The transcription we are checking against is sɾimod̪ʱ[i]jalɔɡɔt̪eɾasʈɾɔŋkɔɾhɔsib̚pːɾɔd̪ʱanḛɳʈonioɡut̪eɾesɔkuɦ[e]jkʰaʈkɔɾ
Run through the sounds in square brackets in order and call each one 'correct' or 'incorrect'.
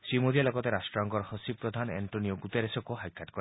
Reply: correct, incorrect: a

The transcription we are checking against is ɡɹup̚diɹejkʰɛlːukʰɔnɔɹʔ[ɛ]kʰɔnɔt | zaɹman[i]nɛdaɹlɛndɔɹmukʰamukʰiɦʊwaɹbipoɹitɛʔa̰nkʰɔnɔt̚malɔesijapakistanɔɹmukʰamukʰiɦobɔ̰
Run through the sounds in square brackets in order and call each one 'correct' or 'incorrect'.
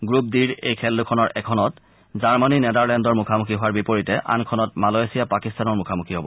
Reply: correct, correct

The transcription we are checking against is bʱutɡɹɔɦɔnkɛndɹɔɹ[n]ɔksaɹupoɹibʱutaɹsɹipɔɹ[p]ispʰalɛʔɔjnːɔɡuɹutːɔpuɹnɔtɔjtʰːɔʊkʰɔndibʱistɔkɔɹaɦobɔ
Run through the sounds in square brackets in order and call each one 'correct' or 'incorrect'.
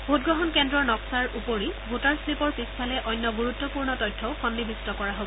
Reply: correct, correct

